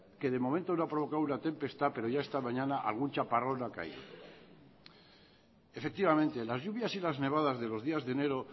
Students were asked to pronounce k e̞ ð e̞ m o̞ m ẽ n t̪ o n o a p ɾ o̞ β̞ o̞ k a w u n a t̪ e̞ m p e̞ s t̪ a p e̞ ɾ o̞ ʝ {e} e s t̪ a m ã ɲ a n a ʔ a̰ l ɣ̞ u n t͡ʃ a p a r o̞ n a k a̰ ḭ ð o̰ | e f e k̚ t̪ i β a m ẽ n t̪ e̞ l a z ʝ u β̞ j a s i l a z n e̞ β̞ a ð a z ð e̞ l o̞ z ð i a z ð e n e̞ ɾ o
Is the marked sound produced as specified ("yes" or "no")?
no